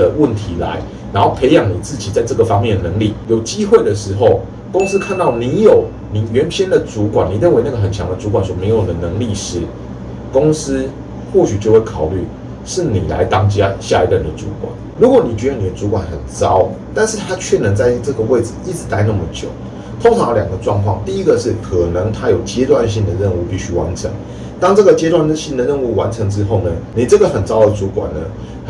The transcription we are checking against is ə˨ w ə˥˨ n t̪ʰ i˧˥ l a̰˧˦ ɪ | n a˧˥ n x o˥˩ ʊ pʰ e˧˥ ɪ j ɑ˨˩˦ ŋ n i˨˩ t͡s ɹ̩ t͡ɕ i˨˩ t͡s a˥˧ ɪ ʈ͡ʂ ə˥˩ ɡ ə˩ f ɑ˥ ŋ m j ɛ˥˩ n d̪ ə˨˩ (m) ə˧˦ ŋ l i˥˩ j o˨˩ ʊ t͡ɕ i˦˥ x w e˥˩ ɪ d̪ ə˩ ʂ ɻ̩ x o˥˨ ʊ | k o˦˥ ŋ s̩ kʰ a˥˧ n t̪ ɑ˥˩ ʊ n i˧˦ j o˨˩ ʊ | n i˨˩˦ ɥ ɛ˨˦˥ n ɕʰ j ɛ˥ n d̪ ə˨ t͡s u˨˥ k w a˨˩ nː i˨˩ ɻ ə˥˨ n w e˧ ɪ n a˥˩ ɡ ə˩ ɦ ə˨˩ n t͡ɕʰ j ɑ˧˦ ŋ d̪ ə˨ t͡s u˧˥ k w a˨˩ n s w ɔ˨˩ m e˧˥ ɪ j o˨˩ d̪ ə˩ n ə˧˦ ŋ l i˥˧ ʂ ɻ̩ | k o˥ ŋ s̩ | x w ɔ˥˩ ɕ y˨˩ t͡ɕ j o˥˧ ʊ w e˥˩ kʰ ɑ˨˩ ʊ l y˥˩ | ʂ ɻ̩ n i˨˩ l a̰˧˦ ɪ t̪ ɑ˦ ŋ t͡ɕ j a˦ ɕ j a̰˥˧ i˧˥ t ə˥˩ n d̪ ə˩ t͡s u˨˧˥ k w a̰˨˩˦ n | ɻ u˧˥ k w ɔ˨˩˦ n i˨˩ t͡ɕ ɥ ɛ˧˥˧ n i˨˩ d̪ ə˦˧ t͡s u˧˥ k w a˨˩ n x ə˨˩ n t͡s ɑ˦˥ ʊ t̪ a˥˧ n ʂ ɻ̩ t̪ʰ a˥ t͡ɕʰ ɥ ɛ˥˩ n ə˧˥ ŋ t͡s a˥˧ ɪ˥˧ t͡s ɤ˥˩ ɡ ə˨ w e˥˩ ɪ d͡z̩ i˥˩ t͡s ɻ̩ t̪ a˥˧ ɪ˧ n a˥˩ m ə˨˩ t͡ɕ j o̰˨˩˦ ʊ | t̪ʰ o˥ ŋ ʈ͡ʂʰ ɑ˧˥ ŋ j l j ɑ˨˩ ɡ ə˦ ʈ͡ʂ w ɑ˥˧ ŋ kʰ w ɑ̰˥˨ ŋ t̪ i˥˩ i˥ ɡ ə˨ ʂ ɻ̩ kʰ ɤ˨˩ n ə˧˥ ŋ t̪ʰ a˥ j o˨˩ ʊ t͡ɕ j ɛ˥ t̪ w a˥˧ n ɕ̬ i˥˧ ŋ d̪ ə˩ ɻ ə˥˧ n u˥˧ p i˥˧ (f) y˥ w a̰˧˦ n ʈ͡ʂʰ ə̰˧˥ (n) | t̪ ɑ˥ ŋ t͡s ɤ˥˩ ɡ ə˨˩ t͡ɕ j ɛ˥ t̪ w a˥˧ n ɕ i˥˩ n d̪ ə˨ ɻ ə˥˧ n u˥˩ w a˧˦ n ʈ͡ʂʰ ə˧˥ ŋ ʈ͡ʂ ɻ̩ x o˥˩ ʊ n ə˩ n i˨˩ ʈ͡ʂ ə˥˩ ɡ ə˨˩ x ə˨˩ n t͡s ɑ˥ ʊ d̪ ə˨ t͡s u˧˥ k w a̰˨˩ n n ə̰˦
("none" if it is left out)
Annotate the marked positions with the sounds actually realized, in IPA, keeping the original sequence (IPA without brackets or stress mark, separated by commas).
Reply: n, ɕ, ŋ